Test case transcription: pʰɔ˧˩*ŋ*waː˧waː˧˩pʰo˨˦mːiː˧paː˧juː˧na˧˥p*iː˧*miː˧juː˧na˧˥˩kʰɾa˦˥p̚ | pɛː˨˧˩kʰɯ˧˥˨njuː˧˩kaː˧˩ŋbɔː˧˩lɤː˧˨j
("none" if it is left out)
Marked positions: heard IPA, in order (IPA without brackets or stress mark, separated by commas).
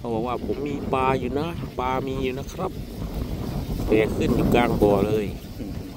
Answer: none, aː˧